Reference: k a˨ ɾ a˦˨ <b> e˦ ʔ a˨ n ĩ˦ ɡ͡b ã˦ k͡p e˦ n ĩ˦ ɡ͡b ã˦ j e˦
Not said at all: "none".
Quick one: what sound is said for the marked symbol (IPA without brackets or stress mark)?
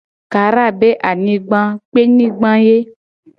b